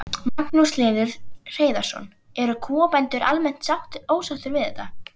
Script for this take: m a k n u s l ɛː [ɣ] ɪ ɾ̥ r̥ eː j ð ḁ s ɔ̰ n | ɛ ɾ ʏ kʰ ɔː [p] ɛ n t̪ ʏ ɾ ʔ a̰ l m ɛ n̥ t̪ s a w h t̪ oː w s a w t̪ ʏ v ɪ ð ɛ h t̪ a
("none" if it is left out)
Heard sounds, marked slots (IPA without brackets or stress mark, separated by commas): ð, p